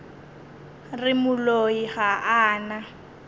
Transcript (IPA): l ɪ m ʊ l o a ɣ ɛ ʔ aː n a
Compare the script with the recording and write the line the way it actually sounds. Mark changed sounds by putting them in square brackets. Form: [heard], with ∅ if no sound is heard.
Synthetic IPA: [r] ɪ m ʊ l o [i] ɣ [a] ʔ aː n a